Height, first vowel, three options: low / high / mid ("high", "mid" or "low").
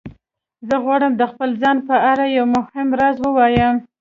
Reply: mid